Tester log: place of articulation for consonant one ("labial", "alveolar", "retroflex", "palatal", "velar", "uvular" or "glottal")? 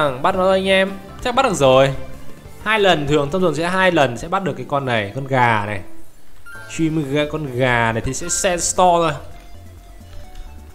velar